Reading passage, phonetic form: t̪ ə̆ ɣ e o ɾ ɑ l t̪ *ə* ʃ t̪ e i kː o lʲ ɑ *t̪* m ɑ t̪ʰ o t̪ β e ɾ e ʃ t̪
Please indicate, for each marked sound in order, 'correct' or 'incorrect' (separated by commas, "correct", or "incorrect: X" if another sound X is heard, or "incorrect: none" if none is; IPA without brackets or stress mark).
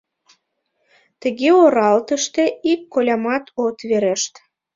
correct, incorrect: none